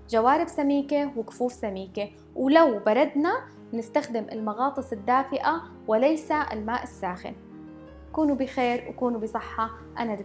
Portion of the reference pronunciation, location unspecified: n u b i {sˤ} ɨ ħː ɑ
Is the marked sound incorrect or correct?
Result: correct